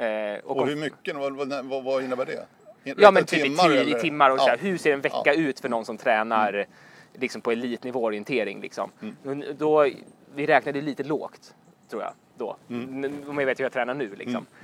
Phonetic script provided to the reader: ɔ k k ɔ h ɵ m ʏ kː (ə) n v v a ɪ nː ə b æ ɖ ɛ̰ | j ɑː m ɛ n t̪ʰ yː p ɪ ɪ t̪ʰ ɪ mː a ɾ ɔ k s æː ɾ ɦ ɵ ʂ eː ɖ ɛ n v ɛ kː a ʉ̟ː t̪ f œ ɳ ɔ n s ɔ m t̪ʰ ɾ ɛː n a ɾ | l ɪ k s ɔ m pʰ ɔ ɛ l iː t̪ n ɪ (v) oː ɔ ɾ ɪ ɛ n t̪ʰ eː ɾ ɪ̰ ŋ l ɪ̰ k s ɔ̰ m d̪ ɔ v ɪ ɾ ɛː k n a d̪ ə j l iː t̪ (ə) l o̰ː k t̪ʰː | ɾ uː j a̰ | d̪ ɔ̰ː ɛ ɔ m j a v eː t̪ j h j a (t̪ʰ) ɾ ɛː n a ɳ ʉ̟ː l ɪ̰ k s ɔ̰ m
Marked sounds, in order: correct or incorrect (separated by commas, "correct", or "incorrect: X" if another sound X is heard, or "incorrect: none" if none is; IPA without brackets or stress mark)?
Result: correct, correct, correct, correct